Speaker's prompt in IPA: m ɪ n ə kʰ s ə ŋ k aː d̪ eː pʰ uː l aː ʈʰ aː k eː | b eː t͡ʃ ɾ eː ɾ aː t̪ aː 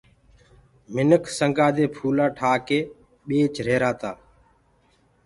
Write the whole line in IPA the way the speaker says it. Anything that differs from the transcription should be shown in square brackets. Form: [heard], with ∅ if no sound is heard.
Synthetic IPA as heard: m ɪ n ə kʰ s ə ŋ [ɡ] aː d̪ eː pʰ uː l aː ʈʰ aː k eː | [ɓ] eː t͡ʃ ɾ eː ɾ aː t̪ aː